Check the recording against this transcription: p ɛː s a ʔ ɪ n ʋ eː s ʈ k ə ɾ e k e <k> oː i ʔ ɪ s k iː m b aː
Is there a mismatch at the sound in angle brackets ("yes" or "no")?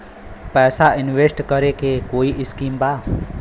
no